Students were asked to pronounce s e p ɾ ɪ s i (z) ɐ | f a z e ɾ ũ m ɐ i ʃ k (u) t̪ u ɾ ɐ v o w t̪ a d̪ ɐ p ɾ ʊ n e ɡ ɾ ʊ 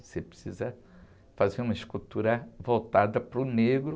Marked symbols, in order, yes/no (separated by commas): yes, yes